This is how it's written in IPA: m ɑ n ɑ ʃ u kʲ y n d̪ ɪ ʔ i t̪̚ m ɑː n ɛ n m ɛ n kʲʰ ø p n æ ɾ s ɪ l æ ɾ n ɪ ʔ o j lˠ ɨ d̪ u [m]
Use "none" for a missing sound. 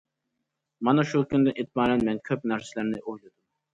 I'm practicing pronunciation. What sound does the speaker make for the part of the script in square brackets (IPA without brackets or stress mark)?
m